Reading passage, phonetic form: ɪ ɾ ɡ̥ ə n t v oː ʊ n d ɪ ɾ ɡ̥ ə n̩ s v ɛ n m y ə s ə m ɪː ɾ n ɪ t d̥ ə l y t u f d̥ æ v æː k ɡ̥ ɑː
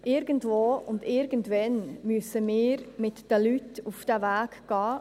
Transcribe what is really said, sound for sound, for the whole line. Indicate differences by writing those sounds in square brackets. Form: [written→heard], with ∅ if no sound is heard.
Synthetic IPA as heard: ɪ ɾ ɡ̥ ə n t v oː ʊ n d ɪ ɾ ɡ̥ ə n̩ [s→t] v ɛ n m y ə s ə m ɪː ɾ [n→m] ɪ t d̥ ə l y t u f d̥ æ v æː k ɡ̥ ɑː

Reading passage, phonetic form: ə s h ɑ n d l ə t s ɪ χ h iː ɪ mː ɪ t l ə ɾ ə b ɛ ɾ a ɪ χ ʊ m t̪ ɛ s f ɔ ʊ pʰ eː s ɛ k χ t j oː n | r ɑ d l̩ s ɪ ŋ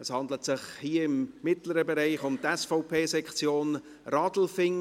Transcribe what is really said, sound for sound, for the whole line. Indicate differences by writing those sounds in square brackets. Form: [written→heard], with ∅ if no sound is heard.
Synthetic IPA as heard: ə s h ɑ n d l ə t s ɪ χ h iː ɪ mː ɪ t l ə ɾ ə b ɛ ɾ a ɪ χ ʊ m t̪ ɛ s f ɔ ʊ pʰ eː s ɛ k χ [t→t͡s] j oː n | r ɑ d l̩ [s→f] ɪ ŋ

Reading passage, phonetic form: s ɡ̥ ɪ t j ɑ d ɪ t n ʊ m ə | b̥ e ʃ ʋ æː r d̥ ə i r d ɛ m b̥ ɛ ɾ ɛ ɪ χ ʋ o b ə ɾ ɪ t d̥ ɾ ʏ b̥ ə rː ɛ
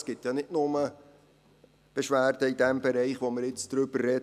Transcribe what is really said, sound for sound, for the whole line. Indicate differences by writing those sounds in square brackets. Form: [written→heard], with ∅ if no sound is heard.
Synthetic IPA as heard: s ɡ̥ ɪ t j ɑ [d→n] ɪ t n ʊ m ə | b̥ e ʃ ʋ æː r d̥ ə i [r→∅] d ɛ m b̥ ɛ ɾ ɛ ɪ χ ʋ o [b→m] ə ɾ ɪ [t→t͡s] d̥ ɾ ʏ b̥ ə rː ɛ

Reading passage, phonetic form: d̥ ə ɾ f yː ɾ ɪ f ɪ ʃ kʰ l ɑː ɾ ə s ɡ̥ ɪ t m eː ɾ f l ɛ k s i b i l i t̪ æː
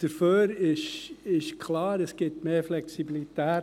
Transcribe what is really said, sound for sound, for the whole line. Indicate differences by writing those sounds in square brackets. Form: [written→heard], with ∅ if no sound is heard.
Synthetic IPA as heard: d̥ ə ɾ f [yː→øː] ɾ ɪ [f→ʃ] ɪ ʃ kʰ l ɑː ɾ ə s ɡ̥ ɪ t m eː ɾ f l ɛ k s i b i l i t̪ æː

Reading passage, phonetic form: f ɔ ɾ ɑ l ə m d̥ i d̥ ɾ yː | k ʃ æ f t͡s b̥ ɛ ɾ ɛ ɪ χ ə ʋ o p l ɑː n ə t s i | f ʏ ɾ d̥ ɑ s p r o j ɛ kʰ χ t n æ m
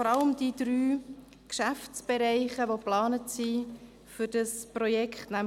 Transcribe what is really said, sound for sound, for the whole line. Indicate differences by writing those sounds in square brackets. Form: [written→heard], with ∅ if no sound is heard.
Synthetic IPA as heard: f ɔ ɾ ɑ l ə m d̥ i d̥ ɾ yː | k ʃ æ f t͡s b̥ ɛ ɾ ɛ ɪ χ ə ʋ o p l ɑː n ə t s i | f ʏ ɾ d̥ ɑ s p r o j ɛ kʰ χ t n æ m

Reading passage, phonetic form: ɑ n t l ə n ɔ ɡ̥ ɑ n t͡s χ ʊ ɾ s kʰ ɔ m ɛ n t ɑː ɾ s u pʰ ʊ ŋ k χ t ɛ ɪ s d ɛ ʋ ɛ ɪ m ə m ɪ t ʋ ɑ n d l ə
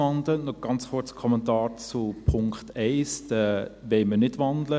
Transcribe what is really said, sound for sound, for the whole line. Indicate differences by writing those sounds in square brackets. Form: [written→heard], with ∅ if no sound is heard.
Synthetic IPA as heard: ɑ n [t→d] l ə n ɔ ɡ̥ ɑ n t͡s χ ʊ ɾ [s→t͡s] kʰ ɔ m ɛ n t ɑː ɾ [s→t͡s] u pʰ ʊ ŋ k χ t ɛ ɪ s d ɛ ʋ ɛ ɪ m ə [m→n] ɪ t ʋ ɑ n d l ə

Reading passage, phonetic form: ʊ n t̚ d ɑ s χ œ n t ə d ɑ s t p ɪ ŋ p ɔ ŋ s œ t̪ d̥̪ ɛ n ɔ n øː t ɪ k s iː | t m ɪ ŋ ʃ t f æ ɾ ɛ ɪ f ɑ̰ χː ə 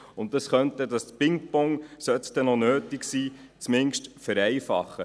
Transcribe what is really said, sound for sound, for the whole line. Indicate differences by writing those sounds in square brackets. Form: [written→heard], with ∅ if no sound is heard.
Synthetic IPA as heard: ʊ n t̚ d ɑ s χ œ n t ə d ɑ s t p ɪ ŋ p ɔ ŋ s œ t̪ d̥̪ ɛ n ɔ n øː t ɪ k s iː | [t→t͡s] m ɪ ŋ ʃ t f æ ɾ ɛ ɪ f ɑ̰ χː ə

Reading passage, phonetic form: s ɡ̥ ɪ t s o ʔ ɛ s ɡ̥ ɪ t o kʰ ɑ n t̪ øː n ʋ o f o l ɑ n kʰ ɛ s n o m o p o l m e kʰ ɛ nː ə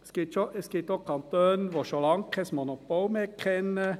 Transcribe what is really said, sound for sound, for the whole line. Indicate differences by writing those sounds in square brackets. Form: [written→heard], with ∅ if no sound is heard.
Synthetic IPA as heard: s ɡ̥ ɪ t [s→ʃ] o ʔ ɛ s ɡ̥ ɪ t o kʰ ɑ n t̪ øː n ʋ o [f→ʃ] o l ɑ [n→ŋ] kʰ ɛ s [n→m] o [m→n] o p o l m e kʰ ɛ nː ə

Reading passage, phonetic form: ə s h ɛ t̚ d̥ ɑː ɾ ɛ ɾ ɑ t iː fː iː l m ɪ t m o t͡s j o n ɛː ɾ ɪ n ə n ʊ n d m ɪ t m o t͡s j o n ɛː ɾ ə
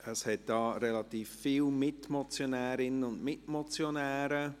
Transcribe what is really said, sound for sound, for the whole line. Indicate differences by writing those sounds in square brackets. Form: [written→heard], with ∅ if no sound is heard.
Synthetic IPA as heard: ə s h ɛ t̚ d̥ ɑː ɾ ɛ [ɾ→l] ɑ t iː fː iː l m ɪ t m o t͡s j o n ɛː ɾ ɪ n ə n ʊ n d m ɪ t m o t͡s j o n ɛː ɾ ə

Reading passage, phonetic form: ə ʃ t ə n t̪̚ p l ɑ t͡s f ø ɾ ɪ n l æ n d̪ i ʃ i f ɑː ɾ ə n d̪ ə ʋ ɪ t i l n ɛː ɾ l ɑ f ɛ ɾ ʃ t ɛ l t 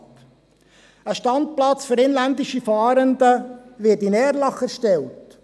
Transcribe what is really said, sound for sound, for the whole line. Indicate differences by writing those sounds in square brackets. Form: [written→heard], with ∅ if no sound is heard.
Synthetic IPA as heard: ə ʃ t [ə→ɑ] n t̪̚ p l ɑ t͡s f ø ɾ ɪ n l æ n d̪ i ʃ i f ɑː ɾ ə n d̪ ə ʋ ɪ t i [l→∅] n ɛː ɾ l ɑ [f→χ] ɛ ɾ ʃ t ɛ l t

